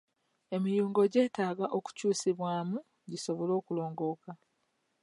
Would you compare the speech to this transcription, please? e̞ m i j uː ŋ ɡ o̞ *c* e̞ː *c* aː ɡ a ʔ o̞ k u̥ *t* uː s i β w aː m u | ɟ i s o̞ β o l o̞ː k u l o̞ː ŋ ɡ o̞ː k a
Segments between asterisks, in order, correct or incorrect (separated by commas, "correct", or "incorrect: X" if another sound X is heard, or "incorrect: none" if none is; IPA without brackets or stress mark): incorrect: ɟ, incorrect: t, incorrect: c